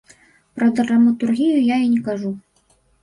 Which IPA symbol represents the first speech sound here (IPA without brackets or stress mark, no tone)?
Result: p